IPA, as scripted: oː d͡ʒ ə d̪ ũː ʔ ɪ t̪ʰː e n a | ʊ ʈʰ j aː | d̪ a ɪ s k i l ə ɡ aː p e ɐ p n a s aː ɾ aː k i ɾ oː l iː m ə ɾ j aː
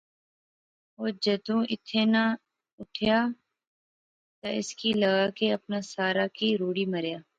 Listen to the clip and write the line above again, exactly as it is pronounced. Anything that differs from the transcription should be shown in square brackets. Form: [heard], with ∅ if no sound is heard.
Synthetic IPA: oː d͡ʒ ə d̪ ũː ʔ ɪ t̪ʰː e n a | ʊ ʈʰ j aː | [t̪] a ɪ s k i l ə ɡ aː [k] e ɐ p n a s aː ɾ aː k i ɾ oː [ɽ] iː m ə ɾ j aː

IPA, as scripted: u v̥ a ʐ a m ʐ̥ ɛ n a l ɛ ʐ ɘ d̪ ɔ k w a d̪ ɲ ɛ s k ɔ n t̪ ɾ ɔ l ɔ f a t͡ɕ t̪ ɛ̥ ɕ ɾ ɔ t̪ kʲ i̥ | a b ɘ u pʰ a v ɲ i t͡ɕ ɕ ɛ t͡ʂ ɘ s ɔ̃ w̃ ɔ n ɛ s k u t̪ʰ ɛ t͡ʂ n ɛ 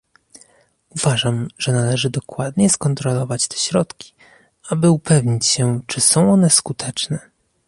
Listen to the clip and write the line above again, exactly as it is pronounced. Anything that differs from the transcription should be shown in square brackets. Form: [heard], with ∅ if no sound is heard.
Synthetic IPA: u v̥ a ʐ a m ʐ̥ ɛ n a l ɛ ʐ ɘ d̪ ɔ k w a d̪ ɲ ɛ s k ɔ n t̪ ɾ ɔ l ɔ [v] a t͡ɕ t̪ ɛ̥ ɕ ɾ ɔ t̪ kʲ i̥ | a b ɘ u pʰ [ɛ] v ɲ i t͡ɕ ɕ ɛ t͡ʂ ɘ s ɔ̃ w̃ ɔ n ɛ s k u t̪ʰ ɛ t͡ʂ n ɛ

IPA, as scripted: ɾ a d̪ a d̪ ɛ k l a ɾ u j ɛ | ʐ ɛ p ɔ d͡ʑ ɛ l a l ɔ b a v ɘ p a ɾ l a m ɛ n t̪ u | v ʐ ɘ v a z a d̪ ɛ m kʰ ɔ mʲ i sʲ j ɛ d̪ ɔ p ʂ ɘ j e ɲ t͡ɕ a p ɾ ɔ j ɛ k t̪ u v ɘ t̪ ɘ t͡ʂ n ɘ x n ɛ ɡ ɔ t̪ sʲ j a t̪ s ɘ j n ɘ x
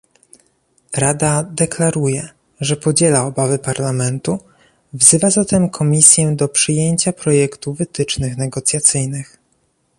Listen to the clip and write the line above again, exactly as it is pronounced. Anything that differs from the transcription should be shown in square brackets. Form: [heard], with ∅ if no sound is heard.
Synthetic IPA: ɾ a d̪ a d̪ ɛ k l a ɾ u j ɛ | ʐ ɛ p ɔ d͡ʑ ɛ l a [∅] ɔ b a v ɘ p a ɾ l a m ɛ n t̪ u | v [z] ɘ v a z a [t̪] ɛ m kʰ ɔ mʲ i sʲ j ɛ d̪ ɔ p ʂ ɘ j e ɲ t͡ɕ a p ɾ ɔ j ɛ k t̪ u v ɘ t̪ ɘ t͡ʂ n ɘ x n ɛ ɡ ɔ t̪ sʲ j a t̪ s ɘ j n ɘ x

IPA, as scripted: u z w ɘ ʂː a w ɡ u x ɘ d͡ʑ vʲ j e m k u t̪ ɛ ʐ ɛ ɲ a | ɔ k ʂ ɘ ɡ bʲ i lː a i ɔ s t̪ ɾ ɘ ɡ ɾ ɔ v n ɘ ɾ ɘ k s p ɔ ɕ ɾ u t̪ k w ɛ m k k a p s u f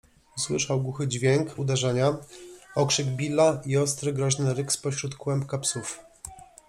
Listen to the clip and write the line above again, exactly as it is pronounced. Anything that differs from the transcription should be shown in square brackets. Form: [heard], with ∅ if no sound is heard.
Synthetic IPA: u [s] w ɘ [ʂ] a w ɡ u x ɘ d͡ʑ vʲ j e [ŋ] k u [d̪] ɛ ʐ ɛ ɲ a | ɔ k ʂ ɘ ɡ bʲ i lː a i ɔ s t̪ ɾ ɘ ɡ ɾ ɔ [ʑ] n ɘ ɾ ɘ k s p ɔ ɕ ɾ u t̪ k w ɛ m [p] k a p s u f

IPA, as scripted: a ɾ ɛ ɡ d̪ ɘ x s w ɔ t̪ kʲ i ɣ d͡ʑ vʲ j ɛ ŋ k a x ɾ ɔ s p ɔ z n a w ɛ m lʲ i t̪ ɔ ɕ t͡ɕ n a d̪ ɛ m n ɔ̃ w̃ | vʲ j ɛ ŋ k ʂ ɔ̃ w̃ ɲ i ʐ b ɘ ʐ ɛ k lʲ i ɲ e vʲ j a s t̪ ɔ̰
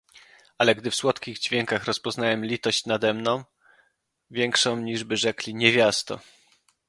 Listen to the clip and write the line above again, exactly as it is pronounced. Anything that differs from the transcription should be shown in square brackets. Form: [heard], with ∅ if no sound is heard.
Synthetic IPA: a [l] ɛ ɡ d̪ ɘ [f] s w ɔ t̪ kʲ i ɣ d͡ʑ vʲ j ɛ ŋ k a x ɾ ɔ s p ɔ z n a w ɛ m lʲ i t̪ ɔ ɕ t͡ɕ n a d̪ ɛ m n ɔ̃ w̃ | vʲ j ɛ ŋ k ʂ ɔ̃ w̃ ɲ i ʐ b ɘ ʐ ɛ k lʲ i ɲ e vʲ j a s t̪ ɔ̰

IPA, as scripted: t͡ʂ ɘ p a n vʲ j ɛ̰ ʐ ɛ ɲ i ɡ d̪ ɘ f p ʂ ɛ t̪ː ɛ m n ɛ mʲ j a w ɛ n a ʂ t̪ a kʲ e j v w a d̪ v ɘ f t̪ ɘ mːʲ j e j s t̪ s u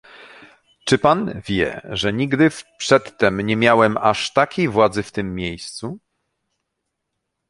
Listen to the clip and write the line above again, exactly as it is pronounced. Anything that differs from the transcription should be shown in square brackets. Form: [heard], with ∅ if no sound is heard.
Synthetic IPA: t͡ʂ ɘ p a n vʲ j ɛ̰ ʐ ɛ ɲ i ɡ d̪ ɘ f p ʂ ɛ t̪ː ɛ m [ɲ] ɛ mʲ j a w ɛ [m] a ʂ t̪ a kʲ e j v w a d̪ [z] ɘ f t̪ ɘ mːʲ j e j s t̪ s u

